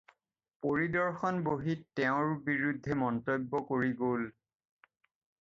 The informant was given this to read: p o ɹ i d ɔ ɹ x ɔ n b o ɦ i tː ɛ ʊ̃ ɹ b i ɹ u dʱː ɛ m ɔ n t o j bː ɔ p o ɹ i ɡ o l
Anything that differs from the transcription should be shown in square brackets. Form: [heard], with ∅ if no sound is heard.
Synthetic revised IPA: p o ɹ i d ɔ ɹ x ɔ n b o ɦ i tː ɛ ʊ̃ ɹ b i ɹ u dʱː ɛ m ɔ n t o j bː ɔ [k] o ɹ i ɡ o l